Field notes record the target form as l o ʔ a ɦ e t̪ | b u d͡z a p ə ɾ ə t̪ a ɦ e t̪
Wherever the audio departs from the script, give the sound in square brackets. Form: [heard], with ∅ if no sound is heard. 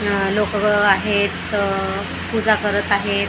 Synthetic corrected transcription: l o [k] a ɦ e t̪ | [p] u d͡z a [k] ə ɾ ə t̪ a ɦ e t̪